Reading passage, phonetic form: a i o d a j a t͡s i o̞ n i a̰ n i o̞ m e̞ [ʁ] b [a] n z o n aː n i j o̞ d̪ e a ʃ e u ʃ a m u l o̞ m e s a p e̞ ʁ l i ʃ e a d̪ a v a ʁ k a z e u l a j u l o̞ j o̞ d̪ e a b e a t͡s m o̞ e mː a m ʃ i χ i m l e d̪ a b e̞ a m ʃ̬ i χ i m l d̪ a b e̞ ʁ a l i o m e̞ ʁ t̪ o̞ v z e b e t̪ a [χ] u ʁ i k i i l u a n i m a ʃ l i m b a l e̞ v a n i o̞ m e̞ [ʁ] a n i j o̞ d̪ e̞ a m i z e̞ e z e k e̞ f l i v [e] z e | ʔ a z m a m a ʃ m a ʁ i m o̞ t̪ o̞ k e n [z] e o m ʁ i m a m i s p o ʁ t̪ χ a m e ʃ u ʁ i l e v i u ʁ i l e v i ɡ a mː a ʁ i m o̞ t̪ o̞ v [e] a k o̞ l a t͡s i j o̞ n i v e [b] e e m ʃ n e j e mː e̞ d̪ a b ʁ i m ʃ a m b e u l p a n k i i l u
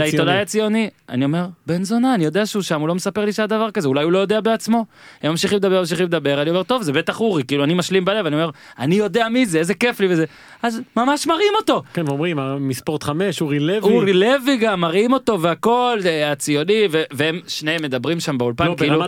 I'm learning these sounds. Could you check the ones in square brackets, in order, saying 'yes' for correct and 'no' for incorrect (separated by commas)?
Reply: yes, no, yes, yes, yes, no, yes, no